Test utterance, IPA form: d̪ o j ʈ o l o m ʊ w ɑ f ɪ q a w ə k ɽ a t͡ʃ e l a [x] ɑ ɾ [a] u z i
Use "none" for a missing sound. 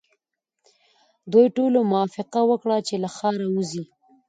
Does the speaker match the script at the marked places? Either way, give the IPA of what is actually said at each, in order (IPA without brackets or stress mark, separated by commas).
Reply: x, a